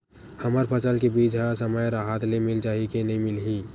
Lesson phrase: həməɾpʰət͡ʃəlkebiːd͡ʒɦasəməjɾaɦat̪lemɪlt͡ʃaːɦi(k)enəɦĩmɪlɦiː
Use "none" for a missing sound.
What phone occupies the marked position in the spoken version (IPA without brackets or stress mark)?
k